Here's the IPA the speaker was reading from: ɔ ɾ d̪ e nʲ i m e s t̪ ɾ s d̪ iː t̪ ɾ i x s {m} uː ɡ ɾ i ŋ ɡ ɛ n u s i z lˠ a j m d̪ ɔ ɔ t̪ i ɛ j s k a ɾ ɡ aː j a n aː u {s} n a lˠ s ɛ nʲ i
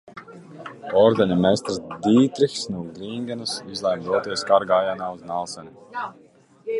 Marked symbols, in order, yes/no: no, no

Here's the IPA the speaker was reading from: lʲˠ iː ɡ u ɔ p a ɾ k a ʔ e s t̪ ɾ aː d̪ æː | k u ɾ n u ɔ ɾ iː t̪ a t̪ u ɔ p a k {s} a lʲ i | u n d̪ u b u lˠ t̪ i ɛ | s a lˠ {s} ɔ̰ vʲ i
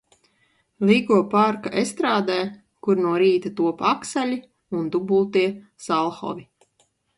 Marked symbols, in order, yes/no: yes, no

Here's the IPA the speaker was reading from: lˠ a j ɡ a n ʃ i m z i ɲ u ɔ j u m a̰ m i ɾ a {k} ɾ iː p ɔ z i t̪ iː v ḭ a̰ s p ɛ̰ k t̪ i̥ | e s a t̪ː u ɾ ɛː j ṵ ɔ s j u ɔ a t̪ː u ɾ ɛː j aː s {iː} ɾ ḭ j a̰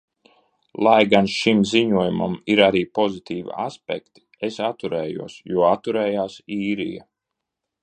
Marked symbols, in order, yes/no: no, yes

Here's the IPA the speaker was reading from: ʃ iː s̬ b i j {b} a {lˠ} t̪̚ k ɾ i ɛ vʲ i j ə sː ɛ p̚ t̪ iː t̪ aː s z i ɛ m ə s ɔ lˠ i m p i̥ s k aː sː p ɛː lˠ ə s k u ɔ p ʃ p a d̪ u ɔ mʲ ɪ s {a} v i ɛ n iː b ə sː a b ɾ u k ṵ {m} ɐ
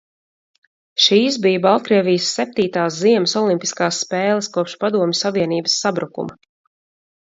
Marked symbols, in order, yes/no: yes, yes, yes, yes

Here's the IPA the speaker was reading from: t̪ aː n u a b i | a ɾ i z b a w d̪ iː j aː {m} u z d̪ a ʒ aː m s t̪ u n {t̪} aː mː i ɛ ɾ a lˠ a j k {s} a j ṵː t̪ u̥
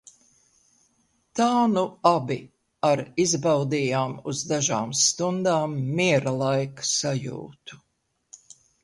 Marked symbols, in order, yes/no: yes, no, yes

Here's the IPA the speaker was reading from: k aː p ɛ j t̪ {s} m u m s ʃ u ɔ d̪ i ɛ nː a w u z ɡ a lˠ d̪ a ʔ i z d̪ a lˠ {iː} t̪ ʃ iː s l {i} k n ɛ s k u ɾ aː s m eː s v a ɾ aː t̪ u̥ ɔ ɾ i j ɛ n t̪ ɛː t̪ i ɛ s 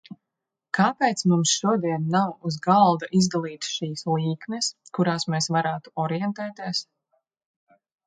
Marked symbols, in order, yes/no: yes, yes, no

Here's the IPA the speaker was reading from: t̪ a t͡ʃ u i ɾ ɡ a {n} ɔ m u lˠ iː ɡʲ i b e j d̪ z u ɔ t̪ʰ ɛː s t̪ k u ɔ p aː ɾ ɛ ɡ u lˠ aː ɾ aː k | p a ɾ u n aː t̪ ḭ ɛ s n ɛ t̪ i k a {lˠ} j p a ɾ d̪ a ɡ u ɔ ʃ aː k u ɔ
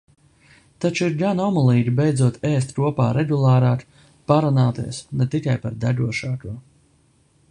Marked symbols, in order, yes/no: yes, no

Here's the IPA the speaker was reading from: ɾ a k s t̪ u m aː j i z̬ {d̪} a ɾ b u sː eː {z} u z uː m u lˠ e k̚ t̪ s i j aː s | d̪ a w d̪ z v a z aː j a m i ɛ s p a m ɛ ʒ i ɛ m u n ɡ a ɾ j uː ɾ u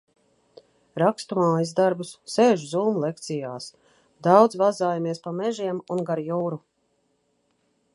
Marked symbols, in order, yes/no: yes, no

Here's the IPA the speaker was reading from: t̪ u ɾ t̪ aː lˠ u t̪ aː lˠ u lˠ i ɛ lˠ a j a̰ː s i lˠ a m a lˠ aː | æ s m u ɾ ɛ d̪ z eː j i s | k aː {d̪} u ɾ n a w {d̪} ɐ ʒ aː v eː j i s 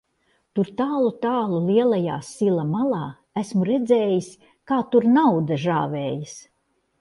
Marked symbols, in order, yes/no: no, yes

